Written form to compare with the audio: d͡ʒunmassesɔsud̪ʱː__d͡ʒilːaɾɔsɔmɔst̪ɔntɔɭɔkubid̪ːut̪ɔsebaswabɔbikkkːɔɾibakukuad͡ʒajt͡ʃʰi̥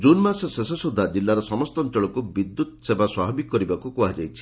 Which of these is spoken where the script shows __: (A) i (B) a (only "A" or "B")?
B